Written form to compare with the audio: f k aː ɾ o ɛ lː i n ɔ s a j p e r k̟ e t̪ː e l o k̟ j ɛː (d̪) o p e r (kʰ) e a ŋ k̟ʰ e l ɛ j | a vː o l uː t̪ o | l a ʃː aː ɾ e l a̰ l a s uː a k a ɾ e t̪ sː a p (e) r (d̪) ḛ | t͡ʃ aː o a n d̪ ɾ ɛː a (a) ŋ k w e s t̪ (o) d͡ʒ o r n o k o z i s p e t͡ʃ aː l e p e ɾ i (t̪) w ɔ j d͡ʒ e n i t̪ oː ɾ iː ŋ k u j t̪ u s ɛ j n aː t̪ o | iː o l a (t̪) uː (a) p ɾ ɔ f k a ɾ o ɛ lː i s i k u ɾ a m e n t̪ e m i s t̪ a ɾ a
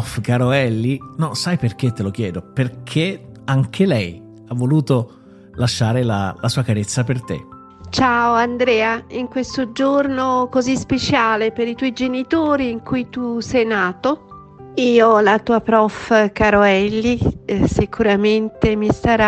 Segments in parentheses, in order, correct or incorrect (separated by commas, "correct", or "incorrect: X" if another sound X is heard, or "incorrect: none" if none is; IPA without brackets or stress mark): correct, correct, correct, incorrect: t̪, incorrect: i, correct, correct, correct, correct